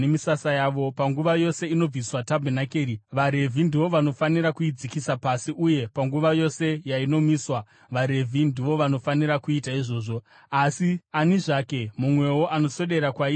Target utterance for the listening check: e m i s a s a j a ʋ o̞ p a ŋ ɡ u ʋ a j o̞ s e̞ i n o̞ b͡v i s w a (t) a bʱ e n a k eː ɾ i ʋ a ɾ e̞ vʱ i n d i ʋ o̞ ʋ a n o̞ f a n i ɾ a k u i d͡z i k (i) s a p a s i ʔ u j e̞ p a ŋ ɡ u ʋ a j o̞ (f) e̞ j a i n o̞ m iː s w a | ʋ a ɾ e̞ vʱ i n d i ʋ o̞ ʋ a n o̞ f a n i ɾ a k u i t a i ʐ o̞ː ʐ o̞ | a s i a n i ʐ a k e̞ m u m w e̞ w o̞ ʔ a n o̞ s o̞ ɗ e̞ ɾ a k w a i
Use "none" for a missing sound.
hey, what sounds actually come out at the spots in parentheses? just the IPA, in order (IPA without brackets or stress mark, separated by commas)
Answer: t, i, s